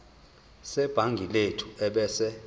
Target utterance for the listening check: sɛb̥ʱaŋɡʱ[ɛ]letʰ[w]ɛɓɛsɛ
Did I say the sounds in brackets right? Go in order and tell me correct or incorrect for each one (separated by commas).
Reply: incorrect, incorrect